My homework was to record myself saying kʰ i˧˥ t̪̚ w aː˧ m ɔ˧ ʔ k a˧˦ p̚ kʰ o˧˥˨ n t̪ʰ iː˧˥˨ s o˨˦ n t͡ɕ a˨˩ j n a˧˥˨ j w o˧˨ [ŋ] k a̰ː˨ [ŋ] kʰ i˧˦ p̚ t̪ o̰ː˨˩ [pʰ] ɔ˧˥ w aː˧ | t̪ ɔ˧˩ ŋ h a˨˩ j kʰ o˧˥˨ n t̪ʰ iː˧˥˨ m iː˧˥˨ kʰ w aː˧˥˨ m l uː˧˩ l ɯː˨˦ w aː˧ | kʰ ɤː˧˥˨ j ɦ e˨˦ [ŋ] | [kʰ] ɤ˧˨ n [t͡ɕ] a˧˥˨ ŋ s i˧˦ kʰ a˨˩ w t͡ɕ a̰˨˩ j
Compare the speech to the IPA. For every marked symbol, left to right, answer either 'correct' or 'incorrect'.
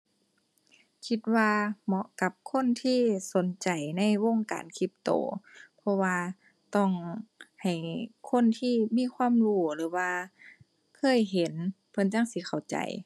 correct, incorrect, correct, incorrect, incorrect, correct

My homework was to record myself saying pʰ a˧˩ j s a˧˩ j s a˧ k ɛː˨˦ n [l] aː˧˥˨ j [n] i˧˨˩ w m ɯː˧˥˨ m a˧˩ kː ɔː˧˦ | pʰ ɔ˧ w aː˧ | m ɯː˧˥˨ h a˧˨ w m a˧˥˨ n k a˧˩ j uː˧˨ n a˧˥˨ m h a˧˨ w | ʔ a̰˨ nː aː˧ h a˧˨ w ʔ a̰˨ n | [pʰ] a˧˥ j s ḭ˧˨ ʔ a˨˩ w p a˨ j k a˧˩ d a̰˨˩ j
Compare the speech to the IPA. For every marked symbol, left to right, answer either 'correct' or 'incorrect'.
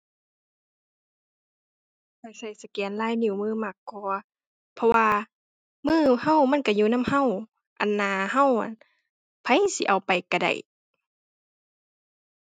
correct, correct, correct

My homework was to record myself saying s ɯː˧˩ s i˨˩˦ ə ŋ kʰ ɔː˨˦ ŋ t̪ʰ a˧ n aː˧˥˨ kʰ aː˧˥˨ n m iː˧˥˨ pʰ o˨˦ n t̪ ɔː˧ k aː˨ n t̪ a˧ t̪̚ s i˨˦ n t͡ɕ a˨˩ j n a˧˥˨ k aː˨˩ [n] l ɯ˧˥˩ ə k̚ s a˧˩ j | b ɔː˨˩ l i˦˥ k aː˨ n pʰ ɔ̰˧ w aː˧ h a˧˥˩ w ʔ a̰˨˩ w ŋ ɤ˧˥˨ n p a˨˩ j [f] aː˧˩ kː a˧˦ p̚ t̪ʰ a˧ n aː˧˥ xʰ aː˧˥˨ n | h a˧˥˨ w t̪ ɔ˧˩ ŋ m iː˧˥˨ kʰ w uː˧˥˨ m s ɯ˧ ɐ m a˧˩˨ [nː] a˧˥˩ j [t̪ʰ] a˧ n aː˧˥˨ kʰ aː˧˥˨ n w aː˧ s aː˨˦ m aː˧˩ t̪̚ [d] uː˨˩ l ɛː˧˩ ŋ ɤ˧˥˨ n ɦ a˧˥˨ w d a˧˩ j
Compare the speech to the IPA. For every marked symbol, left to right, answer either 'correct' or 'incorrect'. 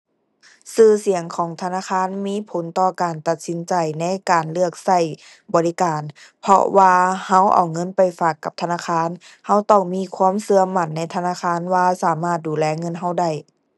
correct, correct, correct, correct, correct

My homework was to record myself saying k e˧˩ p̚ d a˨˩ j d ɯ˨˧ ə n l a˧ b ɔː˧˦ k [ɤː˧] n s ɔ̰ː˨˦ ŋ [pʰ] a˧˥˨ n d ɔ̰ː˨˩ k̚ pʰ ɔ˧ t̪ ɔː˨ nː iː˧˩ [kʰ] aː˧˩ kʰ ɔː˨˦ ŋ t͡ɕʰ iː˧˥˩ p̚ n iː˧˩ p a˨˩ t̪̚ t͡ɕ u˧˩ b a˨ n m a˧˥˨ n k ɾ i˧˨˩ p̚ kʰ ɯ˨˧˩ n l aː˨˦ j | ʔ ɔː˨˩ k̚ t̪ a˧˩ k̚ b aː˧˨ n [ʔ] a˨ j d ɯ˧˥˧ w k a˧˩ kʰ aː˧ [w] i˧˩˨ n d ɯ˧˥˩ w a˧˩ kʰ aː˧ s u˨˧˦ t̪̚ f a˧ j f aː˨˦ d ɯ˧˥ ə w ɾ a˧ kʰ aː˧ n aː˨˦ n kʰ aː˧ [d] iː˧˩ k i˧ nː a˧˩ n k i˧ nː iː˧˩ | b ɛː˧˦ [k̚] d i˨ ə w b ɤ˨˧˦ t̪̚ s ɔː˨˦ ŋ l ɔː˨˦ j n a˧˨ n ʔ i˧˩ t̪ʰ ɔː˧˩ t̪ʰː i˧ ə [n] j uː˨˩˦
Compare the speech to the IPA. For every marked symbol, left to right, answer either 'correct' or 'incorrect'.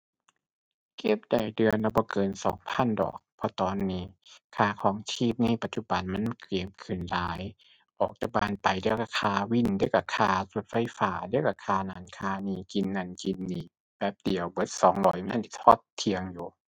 correct, correct, correct, incorrect, correct, incorrect, incorrect, incorrect

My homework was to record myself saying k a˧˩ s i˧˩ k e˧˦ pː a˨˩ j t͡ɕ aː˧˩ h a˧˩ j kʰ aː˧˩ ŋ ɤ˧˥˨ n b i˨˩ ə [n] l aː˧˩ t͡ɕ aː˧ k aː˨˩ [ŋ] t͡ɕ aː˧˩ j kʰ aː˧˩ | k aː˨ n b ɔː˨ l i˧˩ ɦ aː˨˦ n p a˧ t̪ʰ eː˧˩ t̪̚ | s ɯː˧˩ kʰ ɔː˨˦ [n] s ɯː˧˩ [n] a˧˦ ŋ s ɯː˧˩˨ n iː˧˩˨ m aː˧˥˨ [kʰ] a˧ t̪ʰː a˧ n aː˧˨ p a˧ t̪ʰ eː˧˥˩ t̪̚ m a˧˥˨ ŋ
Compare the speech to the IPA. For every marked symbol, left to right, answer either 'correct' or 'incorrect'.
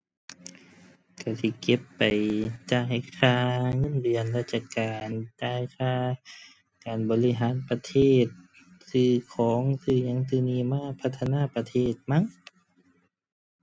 correct, incorrect, incorrect, incorrect, incorrect

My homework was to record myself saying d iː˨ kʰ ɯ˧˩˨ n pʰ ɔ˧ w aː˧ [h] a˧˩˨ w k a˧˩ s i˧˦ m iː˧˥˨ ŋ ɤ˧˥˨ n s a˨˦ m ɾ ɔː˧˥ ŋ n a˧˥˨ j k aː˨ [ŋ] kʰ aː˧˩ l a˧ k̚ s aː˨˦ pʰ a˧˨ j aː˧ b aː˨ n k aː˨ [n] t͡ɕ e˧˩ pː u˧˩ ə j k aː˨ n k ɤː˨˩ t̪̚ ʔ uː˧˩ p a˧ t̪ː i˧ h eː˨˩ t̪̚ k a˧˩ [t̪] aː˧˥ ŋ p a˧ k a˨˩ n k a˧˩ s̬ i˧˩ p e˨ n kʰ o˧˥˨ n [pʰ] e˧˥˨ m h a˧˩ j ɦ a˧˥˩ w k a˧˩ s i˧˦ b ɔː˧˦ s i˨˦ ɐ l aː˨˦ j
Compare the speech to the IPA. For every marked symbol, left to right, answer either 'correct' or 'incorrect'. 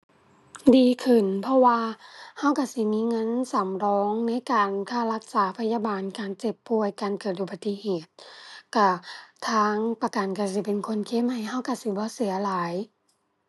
correct, incorrect, correct, incorrect, incorrect

